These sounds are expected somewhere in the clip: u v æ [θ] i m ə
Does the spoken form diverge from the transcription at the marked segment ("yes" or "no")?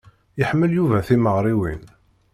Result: no